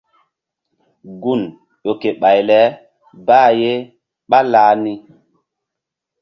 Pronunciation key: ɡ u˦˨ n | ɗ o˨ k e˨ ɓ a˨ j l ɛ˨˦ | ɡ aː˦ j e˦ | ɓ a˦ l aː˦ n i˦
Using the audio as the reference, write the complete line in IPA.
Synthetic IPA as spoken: ɡ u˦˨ n | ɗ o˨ k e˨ ɓ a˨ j l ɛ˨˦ | b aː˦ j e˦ | ɓ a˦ l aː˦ n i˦